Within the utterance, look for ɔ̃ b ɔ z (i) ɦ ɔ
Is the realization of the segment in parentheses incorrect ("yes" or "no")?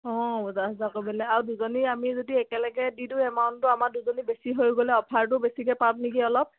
yes